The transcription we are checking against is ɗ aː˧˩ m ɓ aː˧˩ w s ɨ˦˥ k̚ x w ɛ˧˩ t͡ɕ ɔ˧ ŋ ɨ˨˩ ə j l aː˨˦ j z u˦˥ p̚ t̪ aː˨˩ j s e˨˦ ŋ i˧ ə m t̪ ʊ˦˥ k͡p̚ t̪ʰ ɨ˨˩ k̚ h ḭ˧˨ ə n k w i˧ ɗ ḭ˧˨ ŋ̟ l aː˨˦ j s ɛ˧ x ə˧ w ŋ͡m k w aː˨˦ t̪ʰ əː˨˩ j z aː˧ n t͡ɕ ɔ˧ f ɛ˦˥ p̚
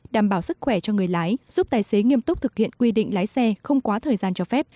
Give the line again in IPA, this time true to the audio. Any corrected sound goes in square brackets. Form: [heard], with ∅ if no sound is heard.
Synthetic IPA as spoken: ɗ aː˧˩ m ɓ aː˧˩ w s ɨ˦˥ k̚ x w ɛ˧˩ t͡ɕ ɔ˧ ŋ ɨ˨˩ ə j l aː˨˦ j z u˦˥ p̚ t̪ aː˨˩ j s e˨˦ ŋ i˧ ə m t̪ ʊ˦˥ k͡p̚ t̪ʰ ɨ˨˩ k̚ h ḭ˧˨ ə n k w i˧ ɗ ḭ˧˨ ŋ̟ l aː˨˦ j s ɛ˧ x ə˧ w ŋ͡m k w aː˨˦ t̪ʰ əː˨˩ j z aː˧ n t͡ɕ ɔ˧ f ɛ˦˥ p̚